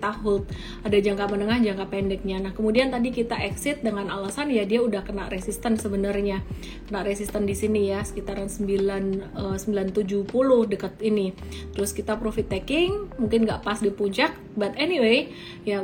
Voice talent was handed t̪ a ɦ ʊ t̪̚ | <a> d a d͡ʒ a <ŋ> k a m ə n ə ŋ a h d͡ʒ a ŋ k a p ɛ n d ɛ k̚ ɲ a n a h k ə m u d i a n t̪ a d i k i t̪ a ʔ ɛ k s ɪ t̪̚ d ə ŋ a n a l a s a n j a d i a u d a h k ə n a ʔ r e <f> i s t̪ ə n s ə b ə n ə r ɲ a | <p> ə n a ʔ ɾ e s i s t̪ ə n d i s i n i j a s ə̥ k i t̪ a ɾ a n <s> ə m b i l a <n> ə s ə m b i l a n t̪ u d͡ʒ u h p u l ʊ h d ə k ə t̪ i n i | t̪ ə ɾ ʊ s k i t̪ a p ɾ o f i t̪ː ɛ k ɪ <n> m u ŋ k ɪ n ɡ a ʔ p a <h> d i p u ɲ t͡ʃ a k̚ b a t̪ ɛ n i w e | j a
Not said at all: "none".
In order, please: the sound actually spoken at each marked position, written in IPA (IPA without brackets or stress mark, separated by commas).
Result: a, ŋ, s, k, s, n, ŋ, s